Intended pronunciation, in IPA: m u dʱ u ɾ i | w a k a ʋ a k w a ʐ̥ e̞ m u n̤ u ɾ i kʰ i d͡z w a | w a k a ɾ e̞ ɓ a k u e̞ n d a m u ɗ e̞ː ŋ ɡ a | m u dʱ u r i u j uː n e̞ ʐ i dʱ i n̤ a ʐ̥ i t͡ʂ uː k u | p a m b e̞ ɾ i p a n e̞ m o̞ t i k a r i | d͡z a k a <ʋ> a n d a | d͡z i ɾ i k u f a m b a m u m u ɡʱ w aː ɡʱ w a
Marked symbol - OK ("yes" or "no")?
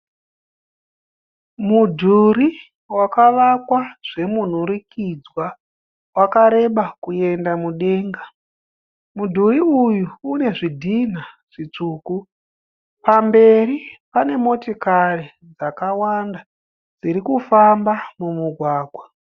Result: no